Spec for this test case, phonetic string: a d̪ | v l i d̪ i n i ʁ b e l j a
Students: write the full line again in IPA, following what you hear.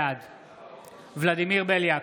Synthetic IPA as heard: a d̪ | v l a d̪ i m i ʁ b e l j a